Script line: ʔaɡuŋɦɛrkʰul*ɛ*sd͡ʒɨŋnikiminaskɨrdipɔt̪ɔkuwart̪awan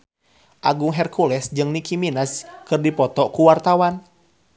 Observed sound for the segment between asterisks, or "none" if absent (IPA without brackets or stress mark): ɛ